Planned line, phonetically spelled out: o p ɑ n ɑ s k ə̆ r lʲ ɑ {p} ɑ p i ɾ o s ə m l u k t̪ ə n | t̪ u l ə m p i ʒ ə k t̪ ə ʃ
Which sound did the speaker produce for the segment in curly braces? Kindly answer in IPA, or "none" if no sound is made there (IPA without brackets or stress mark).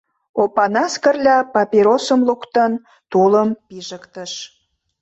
p